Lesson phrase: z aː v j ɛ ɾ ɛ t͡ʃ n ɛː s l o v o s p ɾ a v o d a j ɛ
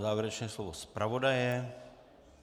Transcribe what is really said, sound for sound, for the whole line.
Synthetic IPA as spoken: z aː v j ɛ ɾ ɛ t͡ʃ n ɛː s l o v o s p ɾ a v o d a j ɛ